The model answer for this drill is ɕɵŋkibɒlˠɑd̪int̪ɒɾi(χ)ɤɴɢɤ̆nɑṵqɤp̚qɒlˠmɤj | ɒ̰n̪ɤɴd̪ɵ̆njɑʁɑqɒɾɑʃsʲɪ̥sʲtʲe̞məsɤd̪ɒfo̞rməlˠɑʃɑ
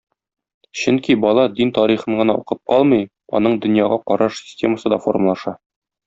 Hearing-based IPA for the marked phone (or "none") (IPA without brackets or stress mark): χ